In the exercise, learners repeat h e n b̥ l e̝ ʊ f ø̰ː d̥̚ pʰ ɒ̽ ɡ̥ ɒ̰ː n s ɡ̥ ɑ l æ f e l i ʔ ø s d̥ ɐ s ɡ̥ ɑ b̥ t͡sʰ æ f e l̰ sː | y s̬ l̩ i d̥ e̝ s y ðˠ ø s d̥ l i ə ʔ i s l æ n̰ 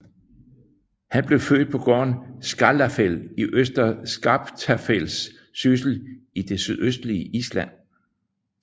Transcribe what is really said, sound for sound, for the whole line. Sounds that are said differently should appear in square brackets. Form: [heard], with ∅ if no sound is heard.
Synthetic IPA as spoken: h [æ] n b̥ l e̝ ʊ f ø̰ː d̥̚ pʰ ɒ̽ ɡ̥ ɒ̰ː n s ɡ̥ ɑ l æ f e l i ʔ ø s d̥ ɐ s ɡ̥ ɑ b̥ t͡sʰ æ f e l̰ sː | y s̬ l̩ i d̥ e̝ s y ðˠ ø s d̥ l i ə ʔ i s l æ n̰

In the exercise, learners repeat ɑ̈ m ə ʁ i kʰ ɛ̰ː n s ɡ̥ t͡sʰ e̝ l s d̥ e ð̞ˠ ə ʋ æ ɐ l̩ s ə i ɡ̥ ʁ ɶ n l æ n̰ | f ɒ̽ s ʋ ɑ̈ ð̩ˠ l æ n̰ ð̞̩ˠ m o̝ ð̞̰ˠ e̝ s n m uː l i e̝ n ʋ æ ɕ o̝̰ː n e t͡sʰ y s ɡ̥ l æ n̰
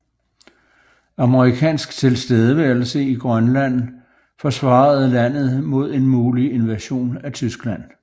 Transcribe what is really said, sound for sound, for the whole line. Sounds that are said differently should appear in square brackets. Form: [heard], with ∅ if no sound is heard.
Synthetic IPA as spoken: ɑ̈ m ə ʁ i kʰ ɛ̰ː n s ɡ̥ t͡sʰ e̝ l s d̥ e ð̞ˠ ə ʋ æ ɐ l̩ s ə i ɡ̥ ʁ ɶ n l æ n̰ | f ɒ̽ s ʋ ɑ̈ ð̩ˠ l æ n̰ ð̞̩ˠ m o̝ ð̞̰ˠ e̝ [∅] n m uː l i e̝ n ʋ æ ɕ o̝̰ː n [æ] t͡sʰ y s ɡ̥ l æ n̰

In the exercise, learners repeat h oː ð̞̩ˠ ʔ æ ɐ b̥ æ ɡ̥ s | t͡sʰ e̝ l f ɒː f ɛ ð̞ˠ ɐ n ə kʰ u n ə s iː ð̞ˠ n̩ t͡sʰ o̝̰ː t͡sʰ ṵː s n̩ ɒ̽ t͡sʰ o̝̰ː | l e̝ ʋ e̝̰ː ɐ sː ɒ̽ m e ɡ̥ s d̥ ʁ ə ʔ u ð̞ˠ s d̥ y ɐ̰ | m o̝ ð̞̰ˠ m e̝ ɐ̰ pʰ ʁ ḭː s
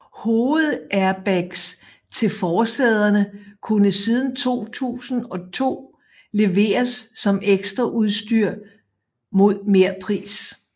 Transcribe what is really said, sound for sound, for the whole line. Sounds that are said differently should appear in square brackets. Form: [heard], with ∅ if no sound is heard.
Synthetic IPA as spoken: h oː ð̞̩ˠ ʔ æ ɐ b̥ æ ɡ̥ s | t͡sʰ e̝ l f ɒː [s] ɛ ð̞ˠ ɐ n ə kʰ u n ə s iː ð̞ˠ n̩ t͡sʰ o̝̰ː t͡sʰ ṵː s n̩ ɒ̽ t͡sʰ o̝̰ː | l e̝ ʋ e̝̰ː ɐ sː ɒ̽ m e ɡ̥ s d̥ ʁ [ɐ] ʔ u ð̞ˠ s d̥ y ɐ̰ | m o̝ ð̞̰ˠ m e̝ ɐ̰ pʰ ʁ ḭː s

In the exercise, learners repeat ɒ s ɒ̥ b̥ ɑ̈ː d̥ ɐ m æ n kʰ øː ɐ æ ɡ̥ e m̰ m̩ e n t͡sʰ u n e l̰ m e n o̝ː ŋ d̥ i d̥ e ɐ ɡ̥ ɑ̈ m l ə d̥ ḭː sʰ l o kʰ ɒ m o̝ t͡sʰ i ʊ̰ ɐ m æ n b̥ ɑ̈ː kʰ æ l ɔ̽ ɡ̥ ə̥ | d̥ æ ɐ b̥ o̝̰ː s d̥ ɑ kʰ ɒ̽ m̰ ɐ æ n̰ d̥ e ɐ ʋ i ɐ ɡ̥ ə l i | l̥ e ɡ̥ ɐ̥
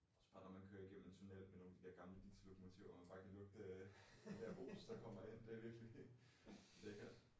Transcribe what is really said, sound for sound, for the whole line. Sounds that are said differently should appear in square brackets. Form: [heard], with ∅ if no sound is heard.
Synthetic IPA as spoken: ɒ s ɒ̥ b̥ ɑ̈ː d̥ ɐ m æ n kʰ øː ɐ [i] ɡ̥ e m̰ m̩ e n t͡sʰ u n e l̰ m e n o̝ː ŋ d̥ i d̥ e ɐ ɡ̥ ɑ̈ m l ə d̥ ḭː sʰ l o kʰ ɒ m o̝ t͡sʰ i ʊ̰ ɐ m æ n b̥ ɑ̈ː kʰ æ l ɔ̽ ɡ̥ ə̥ | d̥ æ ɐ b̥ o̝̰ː s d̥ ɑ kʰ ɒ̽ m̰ ɐ [e] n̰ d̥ e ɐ ʋ i ɐ ɡ̥ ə l i | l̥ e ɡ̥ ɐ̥

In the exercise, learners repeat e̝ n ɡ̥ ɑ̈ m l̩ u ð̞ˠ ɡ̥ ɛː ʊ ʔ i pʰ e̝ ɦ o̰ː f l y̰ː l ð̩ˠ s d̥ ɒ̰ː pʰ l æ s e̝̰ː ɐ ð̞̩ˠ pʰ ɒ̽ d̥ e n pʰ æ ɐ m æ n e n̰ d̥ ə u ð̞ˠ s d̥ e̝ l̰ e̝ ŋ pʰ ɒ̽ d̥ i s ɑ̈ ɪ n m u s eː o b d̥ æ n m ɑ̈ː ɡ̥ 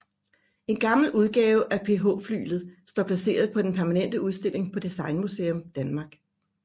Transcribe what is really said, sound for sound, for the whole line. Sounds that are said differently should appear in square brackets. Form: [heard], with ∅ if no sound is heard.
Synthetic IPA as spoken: e̝ n ɡ̥ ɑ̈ m l̩ u ð̞ˠ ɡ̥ ɛː ʊ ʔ [æ] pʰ e̝ ɦ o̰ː f l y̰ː l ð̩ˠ s d̥ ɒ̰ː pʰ l æ s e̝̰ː ɐ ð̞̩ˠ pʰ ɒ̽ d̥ e n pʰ æ ɐ m æ n e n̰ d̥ ə u ð̞ˠ s d̥ e̝ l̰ e̝ ŋ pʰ ɒ̽ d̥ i s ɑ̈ ɪ n m u s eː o [m] d̥ æ n m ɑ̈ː ɡ̥

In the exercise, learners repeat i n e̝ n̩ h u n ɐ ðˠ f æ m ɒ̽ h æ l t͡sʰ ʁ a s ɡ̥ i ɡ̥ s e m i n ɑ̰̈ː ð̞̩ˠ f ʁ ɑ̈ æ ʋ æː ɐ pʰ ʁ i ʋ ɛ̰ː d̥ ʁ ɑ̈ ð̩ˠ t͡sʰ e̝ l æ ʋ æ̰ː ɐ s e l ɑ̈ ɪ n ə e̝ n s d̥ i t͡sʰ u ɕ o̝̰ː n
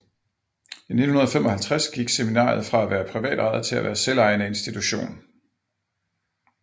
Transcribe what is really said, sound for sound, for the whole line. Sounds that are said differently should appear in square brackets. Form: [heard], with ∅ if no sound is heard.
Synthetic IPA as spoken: i n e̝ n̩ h u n ɐ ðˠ f [e] m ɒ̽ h æ l t͡sʰ ʁ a s ɡ̥ i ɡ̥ s e m i n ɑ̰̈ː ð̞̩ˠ f ʁ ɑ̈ æ ʋ æː ɐ pʰ ʁ i ʋ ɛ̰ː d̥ ʁ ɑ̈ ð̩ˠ t͡sʰ e̝ l æ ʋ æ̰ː ɐ s e l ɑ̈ ɪ n ə e̝ n s d̥ i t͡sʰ u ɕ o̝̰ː n

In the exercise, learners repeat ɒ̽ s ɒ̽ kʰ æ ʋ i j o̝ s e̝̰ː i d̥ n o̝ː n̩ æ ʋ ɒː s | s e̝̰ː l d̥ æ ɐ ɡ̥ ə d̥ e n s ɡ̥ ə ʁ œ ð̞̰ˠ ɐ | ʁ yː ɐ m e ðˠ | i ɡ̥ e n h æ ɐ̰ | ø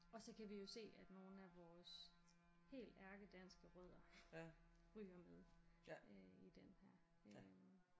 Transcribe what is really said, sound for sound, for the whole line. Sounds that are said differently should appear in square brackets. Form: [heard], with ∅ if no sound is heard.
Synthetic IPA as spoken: ɒ̽ s ɒ̽ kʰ æ ʋ i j o̝ s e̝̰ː [æ] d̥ n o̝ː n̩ æ ʋ ɒː s | [h] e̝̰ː l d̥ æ ɐ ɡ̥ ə d̥ [æ] n s ɡ̥ ə ʁ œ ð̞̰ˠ ɐ | ʁ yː ɐ m e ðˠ | i [d̥] e n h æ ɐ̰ | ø

